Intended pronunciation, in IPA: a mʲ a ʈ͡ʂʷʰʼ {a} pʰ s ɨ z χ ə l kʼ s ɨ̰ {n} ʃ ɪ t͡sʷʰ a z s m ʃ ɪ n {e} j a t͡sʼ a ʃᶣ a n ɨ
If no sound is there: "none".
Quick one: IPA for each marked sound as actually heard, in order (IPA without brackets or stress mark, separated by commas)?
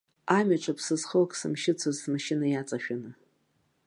a, m, a